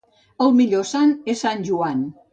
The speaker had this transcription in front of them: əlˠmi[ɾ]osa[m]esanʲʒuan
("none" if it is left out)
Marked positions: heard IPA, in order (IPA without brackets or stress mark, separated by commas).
ʎ, n